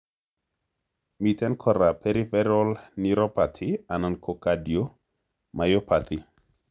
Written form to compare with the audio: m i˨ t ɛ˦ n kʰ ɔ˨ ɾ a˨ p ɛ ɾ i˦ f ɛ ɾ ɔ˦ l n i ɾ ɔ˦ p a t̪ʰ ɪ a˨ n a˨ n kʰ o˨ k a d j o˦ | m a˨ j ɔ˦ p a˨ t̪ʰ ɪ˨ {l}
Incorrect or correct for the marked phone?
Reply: incorrect: none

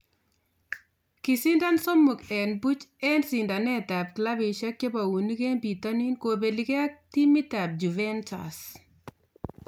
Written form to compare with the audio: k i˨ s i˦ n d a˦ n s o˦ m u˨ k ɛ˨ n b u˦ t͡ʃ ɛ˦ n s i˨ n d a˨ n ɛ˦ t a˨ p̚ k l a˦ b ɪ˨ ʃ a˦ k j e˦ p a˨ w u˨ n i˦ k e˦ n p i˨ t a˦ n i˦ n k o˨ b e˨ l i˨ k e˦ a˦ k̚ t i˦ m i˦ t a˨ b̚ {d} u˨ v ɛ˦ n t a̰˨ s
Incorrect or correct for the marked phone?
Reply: incorrect: d͡ʒ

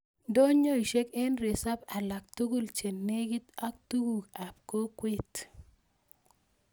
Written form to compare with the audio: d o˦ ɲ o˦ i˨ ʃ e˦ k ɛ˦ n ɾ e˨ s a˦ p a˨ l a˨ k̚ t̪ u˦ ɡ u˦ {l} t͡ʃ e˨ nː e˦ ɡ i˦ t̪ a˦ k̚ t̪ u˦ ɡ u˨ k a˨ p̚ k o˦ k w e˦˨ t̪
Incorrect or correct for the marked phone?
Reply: correct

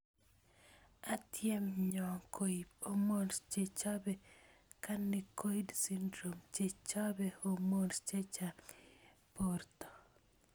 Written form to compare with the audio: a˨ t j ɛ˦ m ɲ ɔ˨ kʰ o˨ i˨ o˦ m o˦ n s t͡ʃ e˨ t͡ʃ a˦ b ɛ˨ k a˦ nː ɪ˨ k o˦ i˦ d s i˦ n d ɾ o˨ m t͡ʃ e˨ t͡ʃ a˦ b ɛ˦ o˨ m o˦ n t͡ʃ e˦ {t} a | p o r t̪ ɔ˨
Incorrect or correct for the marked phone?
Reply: incorrect: t͡ʃ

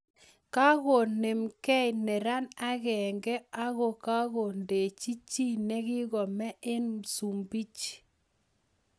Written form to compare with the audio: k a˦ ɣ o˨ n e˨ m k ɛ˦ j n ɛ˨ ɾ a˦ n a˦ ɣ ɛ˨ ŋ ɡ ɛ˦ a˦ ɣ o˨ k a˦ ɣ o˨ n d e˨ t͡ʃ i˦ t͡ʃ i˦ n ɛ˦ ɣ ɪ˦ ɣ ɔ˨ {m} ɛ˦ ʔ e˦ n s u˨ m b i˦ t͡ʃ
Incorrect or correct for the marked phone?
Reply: correct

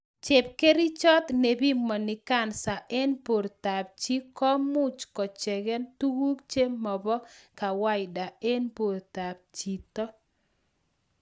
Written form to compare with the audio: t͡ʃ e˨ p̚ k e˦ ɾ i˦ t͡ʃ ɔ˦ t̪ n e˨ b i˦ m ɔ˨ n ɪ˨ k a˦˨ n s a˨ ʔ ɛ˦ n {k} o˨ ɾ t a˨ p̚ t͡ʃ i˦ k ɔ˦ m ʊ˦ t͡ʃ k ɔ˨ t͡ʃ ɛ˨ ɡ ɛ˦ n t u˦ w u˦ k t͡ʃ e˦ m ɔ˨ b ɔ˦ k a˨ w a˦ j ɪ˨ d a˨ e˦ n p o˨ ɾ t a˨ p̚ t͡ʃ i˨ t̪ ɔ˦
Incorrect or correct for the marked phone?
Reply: incorrect: p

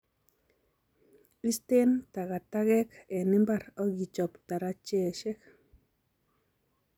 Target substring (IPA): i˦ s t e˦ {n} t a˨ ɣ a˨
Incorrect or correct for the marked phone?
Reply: correct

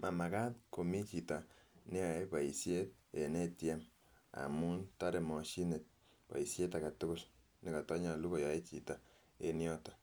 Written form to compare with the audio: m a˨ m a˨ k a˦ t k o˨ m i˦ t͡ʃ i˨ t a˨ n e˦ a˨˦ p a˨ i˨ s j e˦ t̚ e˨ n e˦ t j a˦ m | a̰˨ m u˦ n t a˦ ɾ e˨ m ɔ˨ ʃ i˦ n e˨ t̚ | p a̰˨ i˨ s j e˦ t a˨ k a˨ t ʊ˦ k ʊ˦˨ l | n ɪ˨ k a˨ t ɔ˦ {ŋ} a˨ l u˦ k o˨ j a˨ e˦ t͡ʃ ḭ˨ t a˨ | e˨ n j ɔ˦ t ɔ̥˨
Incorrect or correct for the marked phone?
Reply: incorrect: ɲ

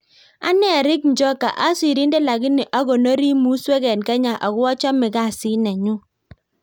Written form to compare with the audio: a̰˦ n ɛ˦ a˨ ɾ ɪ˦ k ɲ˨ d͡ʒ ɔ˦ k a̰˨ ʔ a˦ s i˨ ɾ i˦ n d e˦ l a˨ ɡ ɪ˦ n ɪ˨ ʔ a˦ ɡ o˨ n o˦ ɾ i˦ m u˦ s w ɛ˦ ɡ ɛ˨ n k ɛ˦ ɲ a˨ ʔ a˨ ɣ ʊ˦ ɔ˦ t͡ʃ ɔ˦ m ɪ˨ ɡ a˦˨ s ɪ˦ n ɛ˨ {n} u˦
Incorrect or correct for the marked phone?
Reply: incorrect: ɲ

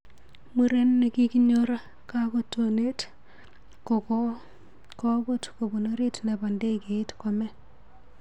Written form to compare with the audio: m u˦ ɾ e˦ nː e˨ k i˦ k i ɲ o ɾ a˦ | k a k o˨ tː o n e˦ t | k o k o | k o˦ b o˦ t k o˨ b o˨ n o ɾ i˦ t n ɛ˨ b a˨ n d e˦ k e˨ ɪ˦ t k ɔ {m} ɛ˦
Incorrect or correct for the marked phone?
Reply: correct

